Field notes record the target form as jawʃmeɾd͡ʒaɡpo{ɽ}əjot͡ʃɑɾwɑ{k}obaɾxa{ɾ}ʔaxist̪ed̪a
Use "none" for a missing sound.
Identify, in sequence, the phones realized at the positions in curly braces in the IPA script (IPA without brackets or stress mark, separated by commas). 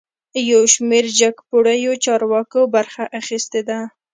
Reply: ɽ, k, none